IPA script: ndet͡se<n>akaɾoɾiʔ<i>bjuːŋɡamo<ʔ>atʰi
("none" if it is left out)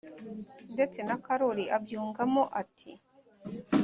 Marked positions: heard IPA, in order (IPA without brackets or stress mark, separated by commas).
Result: n, a, ʔ